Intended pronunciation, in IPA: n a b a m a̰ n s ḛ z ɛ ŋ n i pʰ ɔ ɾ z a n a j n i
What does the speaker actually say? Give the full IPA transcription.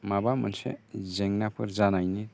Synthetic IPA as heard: m a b a m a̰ n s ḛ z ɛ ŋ n a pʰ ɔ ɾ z a n a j n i